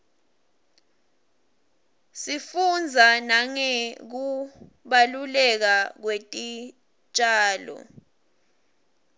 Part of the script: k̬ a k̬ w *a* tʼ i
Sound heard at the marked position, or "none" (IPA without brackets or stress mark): e